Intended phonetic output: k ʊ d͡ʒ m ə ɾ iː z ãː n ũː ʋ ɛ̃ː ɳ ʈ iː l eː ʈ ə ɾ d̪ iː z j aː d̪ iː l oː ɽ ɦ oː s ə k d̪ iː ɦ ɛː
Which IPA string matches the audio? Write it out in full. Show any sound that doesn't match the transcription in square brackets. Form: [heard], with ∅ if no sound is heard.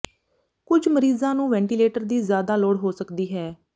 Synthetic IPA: k ʊ d͡ʒ m ə ɾ iː z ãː n ũː ʋ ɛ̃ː ɳ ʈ iː l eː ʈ ə ɾ d̪ iː z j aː d̪ [aː] l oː ɽ ɦ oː s ə k d̪ iː ɦ ɛː